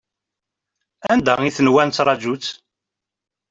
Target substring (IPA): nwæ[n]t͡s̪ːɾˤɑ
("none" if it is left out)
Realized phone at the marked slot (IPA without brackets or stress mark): n